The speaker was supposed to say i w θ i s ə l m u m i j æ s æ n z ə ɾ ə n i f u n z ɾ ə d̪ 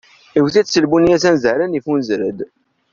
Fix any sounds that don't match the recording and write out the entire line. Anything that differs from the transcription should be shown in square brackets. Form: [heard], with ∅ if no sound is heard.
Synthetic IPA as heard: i w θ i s ə l [b] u [n] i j æ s æ n z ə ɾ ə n i f u n z ɾ ə d̪